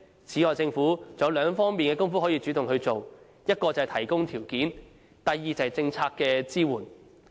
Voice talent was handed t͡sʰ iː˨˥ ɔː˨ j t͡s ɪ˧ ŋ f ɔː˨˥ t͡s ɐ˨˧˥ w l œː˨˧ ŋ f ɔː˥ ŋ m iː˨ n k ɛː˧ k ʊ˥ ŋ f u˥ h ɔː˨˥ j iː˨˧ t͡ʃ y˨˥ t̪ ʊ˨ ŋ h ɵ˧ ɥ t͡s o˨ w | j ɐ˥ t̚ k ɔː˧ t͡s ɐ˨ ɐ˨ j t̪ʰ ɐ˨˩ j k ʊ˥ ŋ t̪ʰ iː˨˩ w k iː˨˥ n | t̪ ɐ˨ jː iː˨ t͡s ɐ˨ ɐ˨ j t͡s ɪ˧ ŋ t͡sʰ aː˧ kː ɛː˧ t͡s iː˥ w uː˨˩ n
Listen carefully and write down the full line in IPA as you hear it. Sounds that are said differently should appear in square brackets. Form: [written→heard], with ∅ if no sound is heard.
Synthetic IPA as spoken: t͡sʰ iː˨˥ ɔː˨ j t͡s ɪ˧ ŋ f [ɔː˨˥→uː˨˥] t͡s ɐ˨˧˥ w l œː˨˧ ŋ f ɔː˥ ŋ m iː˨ n k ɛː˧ k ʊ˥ ŋ f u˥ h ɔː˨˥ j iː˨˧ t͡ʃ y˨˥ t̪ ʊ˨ ŋ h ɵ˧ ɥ t͡s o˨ w | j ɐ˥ t̚ k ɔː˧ t͡s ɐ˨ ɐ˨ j t̪ʰ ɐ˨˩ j k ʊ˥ ŋ t̪ʰ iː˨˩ w k iː˨˥ n | t̪ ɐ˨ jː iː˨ t͡s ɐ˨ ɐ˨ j t͡s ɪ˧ ŋ t͡sʰ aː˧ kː ɛː˧ t͡s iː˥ w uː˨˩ n